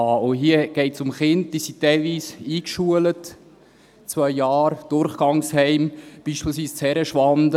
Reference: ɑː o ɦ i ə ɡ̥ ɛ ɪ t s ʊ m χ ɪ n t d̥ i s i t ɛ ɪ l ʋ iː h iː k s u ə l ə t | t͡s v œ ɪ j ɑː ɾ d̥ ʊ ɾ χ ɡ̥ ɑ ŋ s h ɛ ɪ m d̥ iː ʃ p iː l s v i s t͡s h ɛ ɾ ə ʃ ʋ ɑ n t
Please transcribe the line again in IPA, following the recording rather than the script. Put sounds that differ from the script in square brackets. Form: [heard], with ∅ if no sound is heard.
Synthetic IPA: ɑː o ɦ i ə ɡ̥ ɛ ɪ t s ʊ m χ ɪ n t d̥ i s i t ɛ ɪ l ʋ iː [s] iː k [ʃ] u ə l ə t | t͡s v œ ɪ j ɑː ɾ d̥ ʊ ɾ χ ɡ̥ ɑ ŋ s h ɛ ɪ m [b̥] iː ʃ p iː l s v [iː] s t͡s h ɛ ɾ ə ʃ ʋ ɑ n [d]